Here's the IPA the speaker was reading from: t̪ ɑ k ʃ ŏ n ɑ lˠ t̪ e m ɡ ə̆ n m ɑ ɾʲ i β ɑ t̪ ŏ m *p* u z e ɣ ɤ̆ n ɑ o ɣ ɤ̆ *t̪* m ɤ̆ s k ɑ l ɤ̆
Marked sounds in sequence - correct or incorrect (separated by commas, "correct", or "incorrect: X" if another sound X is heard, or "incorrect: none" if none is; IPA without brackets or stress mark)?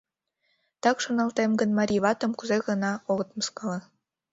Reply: incorrect: k, correct